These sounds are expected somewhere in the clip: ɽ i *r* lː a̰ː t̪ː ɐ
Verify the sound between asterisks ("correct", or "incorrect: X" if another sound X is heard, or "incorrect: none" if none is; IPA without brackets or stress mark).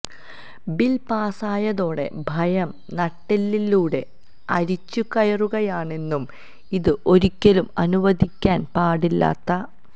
incorrect: none